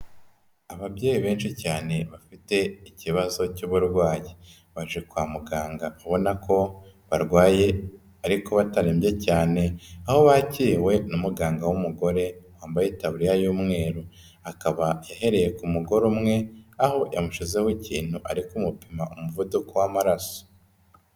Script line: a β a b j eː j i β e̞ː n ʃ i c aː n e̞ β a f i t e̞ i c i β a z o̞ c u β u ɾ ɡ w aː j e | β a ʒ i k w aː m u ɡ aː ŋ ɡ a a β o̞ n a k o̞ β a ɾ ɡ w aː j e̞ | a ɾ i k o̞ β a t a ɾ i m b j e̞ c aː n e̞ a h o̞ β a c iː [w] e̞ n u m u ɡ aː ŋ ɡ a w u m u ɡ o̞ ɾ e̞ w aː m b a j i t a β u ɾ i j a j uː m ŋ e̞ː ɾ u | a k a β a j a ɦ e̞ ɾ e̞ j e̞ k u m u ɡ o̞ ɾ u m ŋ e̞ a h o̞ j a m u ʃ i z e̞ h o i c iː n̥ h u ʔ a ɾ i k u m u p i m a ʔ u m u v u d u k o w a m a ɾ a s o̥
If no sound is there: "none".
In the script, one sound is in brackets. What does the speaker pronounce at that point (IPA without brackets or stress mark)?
w